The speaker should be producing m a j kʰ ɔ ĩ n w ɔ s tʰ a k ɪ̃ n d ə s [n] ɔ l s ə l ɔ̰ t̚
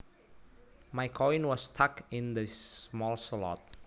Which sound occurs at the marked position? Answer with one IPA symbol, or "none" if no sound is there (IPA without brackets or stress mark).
m